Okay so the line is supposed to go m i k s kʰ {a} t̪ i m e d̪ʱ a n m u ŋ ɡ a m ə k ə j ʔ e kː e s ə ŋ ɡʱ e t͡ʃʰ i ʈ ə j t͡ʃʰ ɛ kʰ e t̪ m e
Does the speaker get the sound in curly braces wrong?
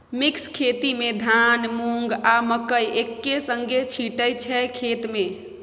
yes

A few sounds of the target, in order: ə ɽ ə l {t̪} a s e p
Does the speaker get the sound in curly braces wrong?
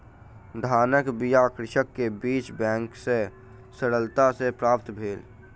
no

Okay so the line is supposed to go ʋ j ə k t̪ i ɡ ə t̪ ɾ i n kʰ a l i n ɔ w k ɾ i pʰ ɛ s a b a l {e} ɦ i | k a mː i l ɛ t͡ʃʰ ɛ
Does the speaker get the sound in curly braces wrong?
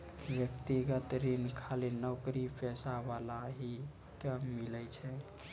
yes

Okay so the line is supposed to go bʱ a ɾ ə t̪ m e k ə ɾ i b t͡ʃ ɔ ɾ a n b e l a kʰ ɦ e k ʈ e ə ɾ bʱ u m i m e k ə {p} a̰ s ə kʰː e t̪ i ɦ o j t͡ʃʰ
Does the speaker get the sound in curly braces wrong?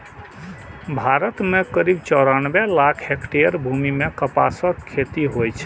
no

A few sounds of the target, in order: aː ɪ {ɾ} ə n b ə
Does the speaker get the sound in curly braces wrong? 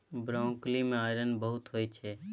no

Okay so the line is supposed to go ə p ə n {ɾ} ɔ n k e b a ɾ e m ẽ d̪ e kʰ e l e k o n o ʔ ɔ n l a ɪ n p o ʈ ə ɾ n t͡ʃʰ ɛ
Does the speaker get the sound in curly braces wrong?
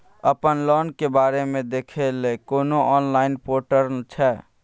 yes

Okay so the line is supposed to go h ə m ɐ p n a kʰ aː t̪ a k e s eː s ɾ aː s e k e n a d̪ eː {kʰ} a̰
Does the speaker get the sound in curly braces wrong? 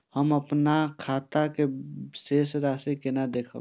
no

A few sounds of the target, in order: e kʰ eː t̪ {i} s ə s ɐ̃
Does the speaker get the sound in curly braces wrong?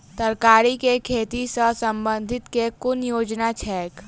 no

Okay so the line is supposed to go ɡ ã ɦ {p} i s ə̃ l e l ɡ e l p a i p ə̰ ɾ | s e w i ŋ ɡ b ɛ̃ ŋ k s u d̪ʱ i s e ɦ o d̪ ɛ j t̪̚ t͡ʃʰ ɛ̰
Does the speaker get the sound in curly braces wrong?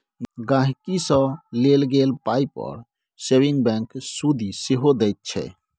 yes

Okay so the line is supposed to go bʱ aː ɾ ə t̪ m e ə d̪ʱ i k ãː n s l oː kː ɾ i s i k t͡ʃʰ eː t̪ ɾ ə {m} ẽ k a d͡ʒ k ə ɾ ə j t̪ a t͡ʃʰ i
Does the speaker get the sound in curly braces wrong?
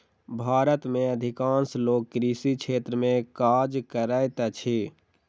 no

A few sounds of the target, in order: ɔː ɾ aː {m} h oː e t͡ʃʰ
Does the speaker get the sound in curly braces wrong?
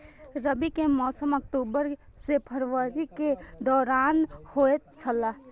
yes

